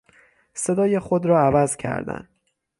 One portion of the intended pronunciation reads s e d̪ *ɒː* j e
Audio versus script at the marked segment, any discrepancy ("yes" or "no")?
no